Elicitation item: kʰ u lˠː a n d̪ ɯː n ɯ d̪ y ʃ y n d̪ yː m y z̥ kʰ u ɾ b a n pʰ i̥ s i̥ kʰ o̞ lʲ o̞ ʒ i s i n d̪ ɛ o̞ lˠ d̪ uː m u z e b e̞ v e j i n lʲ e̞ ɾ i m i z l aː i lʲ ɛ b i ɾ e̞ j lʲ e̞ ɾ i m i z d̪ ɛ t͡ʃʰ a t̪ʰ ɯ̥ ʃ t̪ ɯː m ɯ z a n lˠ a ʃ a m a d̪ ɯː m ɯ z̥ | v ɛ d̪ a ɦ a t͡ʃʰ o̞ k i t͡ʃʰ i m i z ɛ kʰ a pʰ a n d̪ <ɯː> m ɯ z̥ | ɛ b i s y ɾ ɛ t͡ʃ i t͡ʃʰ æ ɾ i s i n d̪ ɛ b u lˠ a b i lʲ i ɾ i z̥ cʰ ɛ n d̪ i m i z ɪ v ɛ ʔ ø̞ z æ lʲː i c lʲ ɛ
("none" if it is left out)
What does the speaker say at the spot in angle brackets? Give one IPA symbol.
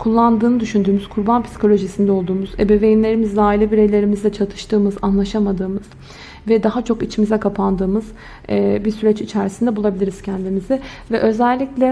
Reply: ɯː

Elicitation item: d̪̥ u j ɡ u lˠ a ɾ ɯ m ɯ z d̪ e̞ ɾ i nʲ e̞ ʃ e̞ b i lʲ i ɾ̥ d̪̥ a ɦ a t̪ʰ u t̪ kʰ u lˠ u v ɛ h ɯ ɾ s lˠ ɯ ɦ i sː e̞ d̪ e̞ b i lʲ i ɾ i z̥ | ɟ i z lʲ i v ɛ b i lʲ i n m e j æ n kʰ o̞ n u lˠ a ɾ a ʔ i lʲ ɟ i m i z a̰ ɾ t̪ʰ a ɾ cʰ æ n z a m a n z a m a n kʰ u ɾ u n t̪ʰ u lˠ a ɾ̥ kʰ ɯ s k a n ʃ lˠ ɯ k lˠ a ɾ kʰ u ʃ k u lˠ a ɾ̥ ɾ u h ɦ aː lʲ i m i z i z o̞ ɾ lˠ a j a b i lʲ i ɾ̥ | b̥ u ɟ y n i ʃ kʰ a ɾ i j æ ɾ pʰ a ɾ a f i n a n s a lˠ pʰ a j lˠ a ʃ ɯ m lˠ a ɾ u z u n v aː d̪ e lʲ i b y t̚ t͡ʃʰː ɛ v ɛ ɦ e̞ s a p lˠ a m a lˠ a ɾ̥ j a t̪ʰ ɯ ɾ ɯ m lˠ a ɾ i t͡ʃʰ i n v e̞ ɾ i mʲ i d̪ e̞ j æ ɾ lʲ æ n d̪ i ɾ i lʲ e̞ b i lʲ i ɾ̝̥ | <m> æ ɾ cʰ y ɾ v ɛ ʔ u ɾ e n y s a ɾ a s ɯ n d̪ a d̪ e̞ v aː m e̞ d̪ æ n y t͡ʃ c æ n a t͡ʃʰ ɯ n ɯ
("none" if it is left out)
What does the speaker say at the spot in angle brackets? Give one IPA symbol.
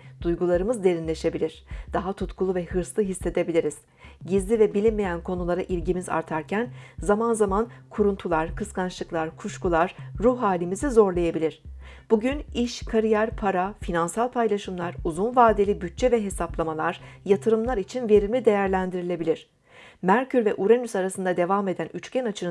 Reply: m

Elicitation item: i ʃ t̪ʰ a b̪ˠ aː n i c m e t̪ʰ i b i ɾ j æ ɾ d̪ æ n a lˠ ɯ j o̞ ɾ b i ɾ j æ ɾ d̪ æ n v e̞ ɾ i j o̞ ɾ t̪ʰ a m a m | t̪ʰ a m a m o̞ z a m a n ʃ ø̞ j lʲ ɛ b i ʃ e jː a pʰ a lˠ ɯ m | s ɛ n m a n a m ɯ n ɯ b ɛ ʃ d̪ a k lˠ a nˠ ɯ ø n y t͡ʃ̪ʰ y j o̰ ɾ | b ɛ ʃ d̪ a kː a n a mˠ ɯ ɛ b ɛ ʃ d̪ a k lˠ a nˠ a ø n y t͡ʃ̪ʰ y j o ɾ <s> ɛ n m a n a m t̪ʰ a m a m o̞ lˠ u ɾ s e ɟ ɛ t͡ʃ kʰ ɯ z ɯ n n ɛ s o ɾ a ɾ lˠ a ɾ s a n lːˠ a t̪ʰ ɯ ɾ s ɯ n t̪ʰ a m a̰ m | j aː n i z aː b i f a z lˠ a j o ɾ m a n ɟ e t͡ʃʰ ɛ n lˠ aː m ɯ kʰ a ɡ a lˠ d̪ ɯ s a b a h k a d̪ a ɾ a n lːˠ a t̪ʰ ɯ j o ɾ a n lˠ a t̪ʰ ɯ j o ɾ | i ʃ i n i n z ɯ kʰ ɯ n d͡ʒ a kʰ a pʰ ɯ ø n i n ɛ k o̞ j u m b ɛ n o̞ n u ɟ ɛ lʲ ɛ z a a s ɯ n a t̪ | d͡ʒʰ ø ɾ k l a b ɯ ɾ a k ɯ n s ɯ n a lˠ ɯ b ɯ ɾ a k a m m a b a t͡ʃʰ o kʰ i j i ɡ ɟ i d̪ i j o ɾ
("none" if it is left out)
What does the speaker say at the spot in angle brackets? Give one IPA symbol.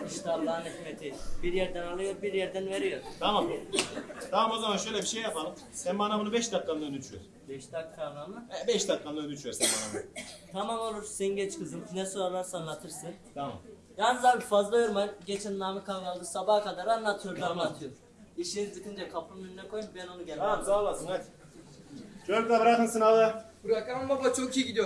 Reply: s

